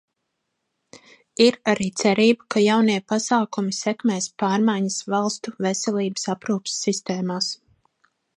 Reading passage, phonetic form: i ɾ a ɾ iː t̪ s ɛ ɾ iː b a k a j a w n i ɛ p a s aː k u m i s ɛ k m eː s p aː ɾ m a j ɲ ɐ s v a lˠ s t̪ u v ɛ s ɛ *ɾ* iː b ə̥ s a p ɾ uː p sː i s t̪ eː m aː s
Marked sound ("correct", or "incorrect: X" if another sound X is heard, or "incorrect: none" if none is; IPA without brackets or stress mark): incorrect: l